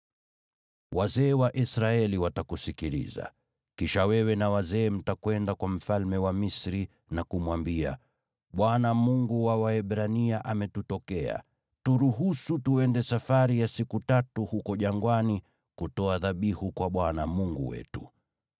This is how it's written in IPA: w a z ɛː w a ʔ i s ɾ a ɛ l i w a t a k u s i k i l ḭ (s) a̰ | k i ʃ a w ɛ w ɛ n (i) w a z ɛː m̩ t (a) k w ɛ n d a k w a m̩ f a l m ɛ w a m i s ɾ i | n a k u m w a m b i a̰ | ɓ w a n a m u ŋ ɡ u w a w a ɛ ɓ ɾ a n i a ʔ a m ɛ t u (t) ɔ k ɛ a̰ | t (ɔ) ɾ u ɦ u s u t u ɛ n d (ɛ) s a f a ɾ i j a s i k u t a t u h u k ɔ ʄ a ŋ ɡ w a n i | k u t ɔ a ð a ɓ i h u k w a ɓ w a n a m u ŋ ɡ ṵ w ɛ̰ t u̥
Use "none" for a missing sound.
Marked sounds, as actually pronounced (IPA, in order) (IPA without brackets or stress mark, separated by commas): z, a, a, t, u, ɛ